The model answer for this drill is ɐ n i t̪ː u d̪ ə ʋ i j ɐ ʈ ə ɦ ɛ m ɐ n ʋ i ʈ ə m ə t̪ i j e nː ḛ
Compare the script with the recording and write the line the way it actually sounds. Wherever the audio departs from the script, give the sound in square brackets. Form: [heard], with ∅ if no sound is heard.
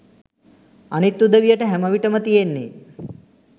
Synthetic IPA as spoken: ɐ n i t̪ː u d̪ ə ʋ i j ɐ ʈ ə ɦ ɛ m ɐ [∅] ʋ i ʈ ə m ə t̪ i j e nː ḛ